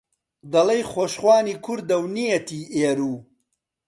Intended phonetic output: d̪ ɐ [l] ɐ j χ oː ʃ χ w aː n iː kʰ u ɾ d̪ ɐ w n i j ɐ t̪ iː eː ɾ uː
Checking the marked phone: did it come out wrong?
no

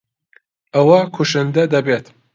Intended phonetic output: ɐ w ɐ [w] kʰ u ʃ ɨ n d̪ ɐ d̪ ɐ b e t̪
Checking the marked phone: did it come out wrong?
yes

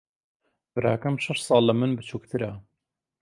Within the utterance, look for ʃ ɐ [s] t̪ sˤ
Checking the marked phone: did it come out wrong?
yes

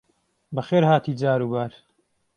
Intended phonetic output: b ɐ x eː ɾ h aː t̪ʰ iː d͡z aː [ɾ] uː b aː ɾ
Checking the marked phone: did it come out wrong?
no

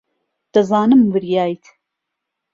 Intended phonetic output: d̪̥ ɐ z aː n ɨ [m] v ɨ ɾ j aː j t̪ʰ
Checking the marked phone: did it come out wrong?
no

